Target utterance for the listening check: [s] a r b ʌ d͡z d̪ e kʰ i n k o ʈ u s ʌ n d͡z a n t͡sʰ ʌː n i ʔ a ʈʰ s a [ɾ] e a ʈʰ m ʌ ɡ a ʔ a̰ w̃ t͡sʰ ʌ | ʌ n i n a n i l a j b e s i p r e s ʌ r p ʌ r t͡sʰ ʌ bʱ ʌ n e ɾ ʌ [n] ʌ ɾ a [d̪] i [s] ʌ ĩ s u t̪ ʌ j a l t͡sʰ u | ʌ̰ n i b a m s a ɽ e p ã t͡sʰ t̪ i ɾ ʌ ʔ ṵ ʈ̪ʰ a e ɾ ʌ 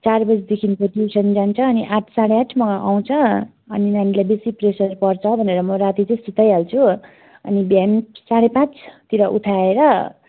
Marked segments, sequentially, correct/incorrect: incorrect: t͡s, incorrect: ɽ, incorrect: m, incorrect: t̪, incorrect: t͡s

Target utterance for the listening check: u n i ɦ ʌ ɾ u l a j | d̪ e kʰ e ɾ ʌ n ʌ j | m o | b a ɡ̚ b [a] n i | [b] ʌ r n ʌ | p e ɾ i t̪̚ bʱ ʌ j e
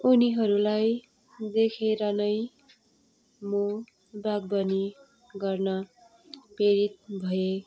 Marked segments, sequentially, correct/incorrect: incorrect: ʌ, incorrect: ɡ

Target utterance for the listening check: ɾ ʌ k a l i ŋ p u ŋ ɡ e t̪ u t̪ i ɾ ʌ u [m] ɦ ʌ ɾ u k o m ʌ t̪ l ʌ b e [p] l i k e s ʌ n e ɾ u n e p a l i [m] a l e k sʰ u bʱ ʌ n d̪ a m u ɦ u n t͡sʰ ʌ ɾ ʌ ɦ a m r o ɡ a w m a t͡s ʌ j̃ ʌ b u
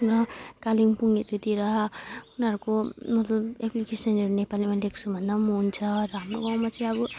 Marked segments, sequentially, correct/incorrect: incorrect: n, correct, correct

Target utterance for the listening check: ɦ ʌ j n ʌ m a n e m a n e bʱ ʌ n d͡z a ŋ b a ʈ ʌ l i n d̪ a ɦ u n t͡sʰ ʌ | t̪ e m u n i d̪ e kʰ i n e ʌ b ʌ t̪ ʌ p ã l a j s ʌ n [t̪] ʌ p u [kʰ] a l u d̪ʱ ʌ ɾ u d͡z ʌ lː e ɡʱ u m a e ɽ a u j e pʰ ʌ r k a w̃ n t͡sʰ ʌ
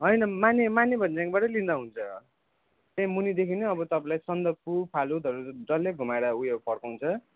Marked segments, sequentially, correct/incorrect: incorrect: d̪, incorrect: pʰ

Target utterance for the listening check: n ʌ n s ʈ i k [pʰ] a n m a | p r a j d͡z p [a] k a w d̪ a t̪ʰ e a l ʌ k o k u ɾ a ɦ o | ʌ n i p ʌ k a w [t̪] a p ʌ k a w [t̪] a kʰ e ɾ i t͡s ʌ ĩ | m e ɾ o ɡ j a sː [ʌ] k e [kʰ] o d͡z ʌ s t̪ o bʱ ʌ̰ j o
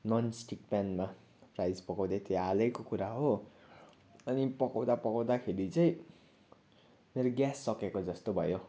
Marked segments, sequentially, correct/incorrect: incorrect: p, incorrect: ʌ, incorrect: d̪, incorrect: d̪, correct, incorrect: k

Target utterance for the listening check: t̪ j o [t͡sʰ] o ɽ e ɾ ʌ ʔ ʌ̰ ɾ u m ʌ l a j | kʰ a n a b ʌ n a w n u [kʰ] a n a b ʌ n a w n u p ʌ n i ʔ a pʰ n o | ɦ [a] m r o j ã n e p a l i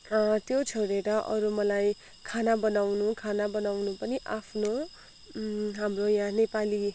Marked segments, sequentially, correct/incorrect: correct, correct, correct

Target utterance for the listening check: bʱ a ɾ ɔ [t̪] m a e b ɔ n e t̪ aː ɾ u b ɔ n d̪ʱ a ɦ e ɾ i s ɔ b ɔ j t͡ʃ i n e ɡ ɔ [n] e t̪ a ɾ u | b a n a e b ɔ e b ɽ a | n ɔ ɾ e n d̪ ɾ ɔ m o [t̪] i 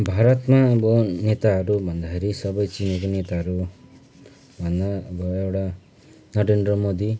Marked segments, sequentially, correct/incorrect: correct, correct, incorrect: d̪

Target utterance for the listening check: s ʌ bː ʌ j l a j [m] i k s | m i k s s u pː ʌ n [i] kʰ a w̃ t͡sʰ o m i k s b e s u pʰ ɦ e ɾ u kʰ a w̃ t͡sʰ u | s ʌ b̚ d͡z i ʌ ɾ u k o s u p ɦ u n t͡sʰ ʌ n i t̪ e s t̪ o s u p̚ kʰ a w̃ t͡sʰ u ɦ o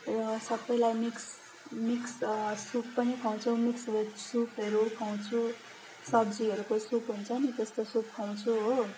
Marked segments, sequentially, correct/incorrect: correct, correct

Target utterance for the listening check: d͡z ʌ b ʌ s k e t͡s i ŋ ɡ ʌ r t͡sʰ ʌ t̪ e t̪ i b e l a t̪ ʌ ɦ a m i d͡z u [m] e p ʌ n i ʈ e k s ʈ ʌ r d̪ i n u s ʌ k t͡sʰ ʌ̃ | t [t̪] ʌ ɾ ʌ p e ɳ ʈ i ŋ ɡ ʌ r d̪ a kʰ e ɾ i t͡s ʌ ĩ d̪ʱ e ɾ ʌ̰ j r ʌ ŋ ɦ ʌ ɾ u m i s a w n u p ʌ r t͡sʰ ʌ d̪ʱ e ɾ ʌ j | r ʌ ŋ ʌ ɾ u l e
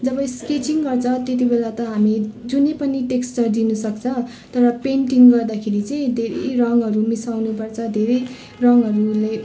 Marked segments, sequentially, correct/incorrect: incorrect: n, correct

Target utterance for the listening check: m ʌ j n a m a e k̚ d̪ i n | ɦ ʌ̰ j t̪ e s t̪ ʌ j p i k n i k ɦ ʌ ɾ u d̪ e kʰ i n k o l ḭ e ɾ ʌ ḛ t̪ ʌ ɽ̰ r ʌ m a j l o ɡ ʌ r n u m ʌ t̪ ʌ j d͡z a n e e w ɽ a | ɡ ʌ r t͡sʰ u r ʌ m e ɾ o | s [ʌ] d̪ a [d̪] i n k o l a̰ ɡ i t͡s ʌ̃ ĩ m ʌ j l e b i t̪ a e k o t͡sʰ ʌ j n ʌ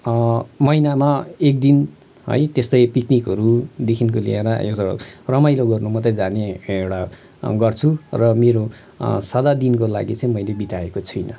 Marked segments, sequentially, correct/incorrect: correct, correct

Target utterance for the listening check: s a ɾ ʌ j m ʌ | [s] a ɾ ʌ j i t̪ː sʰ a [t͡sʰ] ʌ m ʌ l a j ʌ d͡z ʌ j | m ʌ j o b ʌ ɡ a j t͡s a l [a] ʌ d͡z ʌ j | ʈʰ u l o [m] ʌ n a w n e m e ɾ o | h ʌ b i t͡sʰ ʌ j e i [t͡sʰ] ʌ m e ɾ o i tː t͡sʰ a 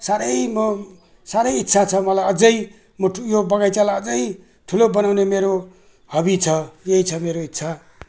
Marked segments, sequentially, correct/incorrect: correct, correct, correct, incorrect: b, correct

